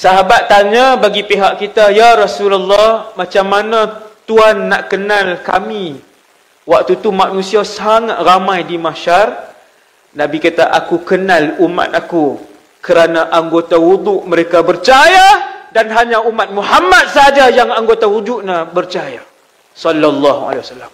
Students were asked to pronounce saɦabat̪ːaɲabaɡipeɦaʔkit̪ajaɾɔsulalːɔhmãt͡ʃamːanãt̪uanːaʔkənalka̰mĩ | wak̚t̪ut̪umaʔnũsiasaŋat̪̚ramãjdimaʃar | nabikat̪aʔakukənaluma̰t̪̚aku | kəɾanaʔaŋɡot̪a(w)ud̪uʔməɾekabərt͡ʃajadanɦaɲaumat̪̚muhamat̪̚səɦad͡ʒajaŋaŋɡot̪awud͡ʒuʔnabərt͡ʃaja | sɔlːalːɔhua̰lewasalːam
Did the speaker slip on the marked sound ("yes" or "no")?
no